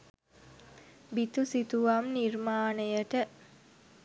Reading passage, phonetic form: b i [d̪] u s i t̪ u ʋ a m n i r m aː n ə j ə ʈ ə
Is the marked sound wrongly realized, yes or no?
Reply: yes